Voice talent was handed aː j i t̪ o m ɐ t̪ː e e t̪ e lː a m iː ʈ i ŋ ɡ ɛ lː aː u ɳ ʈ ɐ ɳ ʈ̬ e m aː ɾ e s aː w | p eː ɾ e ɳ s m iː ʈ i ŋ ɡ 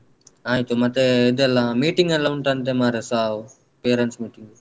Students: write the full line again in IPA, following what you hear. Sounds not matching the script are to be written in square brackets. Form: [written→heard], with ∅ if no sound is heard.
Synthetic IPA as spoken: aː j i t̪ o m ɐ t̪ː e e [t̪→d̪] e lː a m iː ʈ i ŋ ɡ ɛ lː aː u ɳ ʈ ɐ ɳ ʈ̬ e m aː ɾ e s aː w | p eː ɾ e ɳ s m iː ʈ i ŋ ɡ